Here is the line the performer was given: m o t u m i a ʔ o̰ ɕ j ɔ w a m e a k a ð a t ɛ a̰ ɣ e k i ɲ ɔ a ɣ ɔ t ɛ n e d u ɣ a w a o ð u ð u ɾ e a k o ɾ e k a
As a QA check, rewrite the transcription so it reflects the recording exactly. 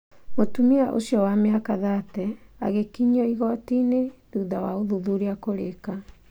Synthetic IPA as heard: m o t u m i a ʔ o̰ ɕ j ɔ w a m e a k a ð a t ɛ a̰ ɣ e k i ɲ ɔ i ɣ ɔ t i n e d u ð a w a o ð u ð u ɾ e a k o ɾ e k a